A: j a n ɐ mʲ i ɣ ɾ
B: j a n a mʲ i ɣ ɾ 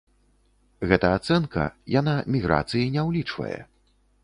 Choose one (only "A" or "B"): B